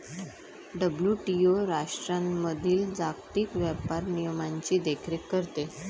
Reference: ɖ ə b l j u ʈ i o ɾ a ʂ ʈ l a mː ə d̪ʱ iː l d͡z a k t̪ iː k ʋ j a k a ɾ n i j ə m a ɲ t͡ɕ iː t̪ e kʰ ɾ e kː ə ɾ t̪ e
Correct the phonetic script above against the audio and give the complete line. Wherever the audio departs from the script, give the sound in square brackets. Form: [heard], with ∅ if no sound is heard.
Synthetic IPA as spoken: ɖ ə b l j u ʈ i o ɾ a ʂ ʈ [ɾ] a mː ə d̪ʱ iː l d͡z a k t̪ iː k ʋ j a [p] a ɾ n i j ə m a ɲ t͡ɕ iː [d̪] e kʰ ɾ e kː ə ɾ t̪ e